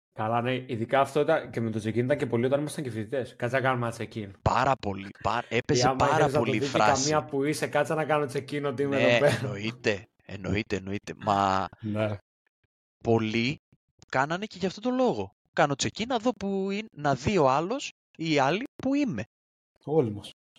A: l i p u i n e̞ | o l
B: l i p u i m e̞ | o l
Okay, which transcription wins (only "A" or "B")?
B